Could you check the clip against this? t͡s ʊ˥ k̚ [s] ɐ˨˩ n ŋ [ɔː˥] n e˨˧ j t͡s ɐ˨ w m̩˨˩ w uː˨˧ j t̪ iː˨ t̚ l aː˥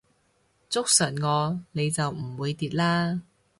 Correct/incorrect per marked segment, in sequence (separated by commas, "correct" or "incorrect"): correct, incorrect